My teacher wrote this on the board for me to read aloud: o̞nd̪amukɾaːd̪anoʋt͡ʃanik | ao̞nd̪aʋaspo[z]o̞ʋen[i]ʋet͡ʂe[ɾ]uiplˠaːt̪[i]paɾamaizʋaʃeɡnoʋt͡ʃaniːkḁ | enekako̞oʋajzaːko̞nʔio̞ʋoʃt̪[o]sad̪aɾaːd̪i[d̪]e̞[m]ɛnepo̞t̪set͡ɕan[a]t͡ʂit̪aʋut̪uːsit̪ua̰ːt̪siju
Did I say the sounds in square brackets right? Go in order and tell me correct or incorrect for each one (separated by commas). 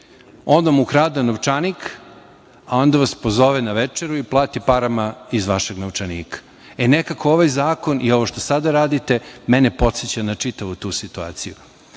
correct, incorrect, correct, correct, correct, incorrect, correct, correct